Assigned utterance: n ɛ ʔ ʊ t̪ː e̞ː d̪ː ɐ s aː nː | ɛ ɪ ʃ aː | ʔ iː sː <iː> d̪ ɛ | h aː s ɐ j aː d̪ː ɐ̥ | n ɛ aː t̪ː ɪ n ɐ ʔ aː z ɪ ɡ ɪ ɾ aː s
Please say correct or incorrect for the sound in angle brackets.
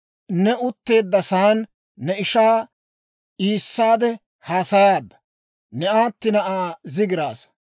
incorrect